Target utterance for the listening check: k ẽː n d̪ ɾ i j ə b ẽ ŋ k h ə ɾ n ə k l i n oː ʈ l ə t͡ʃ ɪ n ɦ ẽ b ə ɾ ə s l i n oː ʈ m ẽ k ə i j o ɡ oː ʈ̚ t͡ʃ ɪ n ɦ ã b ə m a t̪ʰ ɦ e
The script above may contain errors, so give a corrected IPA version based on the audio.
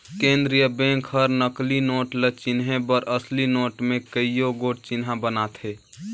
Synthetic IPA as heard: k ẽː n d̪ ɾ i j ə b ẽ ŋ k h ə ɾ n ə k l i n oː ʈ l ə t͡ʃ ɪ n ɦ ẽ b ə ɾ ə s l i n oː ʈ m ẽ k ə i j o ɡ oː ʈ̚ t͡ʃ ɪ n ɦ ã b ə n a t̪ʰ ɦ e